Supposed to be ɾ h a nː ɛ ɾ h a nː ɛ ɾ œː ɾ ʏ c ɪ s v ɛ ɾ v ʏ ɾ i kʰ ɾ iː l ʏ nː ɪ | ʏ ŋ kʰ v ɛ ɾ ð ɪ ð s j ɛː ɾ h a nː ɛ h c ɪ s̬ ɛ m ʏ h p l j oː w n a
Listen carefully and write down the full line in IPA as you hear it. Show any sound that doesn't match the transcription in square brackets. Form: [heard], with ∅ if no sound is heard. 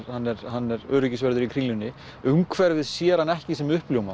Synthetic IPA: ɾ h a nː ɛ ɾ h a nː ɛ ɾ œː ɾ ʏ c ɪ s v ɛ ɾ [ð] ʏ ɾ i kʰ ɾ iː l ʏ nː ɪ | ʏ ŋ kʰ v ɛ ɾ [v] ɪ ð s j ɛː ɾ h a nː ɛ h c ɪ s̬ ɛ m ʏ h p l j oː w [m] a